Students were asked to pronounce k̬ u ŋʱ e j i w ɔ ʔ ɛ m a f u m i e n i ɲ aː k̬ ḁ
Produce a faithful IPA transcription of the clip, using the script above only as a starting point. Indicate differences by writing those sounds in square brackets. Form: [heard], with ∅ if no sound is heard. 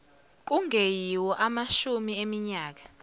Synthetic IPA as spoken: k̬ u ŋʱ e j i w ɔ ʔ [a] m a [ʃ] u m i e [m] i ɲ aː k̬ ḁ